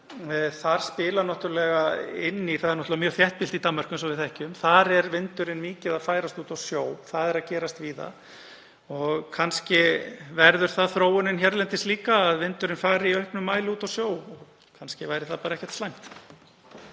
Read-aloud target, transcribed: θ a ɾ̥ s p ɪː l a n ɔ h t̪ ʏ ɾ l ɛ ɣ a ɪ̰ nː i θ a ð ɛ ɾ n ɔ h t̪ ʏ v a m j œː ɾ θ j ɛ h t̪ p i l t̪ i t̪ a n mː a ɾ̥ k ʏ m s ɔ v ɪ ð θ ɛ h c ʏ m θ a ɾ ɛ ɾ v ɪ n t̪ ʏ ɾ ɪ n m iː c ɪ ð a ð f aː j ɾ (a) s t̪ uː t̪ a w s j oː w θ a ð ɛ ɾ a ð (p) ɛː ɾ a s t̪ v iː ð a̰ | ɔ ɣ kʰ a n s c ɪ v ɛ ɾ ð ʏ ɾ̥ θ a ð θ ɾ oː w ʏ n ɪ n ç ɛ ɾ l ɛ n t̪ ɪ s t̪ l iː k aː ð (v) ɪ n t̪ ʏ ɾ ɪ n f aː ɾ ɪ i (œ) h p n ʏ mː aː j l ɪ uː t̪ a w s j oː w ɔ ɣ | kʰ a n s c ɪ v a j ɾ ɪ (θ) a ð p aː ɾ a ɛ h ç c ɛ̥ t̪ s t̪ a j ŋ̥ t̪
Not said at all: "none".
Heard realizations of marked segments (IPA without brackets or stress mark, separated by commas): a, c, v, œ, θ